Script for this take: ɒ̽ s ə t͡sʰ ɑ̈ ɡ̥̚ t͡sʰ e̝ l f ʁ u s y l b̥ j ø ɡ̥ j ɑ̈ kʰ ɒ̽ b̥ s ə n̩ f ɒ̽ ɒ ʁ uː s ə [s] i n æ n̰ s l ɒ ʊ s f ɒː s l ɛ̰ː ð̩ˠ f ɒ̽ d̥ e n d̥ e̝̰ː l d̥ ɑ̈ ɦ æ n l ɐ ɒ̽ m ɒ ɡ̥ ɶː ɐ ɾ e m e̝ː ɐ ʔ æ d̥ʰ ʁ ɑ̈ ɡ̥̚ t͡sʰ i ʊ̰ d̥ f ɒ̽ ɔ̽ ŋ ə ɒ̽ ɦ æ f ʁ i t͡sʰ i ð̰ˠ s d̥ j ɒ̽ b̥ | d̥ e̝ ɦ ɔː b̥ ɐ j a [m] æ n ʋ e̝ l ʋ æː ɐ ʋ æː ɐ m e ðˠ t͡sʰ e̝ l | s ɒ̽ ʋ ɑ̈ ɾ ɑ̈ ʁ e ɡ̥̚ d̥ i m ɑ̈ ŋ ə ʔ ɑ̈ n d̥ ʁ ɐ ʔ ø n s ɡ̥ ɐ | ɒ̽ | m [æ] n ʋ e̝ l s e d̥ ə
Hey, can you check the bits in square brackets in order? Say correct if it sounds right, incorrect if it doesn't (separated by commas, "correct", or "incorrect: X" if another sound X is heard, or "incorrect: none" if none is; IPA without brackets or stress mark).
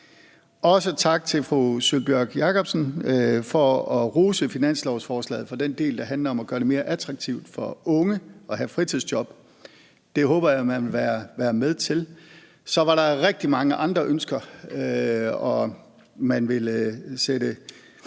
incorrect: f, correct, correct